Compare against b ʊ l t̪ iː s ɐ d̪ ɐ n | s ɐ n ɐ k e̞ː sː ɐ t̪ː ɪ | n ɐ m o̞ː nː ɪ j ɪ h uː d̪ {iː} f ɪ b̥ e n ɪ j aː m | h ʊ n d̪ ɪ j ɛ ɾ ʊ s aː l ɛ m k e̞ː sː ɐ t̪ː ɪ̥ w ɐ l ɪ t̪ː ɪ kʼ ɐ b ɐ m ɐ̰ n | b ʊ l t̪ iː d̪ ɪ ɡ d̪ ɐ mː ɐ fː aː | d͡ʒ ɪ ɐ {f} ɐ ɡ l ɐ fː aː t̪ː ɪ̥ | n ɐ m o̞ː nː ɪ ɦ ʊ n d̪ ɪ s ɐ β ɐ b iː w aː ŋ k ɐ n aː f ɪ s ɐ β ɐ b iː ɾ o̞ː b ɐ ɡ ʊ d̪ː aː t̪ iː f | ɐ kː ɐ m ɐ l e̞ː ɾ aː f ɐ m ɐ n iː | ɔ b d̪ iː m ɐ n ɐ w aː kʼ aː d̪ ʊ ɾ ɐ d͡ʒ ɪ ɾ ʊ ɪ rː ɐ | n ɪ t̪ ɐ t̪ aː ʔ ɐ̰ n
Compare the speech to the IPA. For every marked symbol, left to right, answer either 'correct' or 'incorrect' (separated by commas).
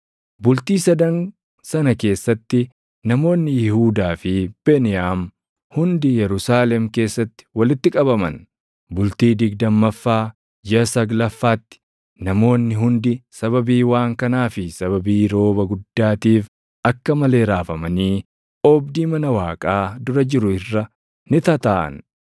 incorrect, incorrect